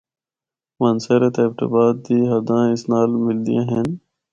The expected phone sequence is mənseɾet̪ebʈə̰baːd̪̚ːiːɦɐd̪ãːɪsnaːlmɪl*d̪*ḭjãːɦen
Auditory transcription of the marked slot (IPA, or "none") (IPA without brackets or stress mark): d̪